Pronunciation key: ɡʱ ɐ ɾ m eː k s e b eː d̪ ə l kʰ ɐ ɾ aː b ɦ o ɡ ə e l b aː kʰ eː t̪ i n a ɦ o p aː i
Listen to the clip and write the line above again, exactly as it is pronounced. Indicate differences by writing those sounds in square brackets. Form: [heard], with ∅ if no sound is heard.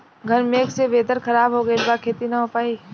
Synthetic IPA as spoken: ɡʱ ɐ ɾ m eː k s e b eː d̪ ə [ɾ] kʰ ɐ ɾ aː b ɦ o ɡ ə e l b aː kʰ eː t̪ i n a ɦ o p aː i